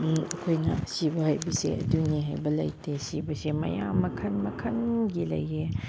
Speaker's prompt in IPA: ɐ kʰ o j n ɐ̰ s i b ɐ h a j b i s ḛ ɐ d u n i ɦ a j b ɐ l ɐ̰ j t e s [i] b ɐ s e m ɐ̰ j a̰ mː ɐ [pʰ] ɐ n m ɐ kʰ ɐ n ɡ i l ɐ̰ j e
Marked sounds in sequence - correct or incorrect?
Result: correct, incorrect: kʰ

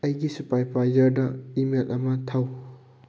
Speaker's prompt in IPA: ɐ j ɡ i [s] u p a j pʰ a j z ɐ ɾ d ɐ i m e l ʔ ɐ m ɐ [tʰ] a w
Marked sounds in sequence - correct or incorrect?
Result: correct, correct

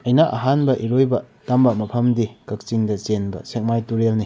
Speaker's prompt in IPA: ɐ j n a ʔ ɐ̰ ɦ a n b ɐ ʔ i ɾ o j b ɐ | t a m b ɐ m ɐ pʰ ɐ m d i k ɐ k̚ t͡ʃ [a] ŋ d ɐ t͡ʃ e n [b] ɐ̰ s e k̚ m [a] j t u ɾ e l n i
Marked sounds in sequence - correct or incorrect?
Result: incorrect: i, correct, correct

